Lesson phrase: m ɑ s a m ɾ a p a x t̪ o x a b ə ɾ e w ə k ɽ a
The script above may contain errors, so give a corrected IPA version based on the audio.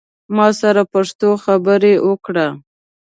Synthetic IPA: m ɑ s a ɾ a p a ʂ t̪ o x a b ə ɾ e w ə k ɽ a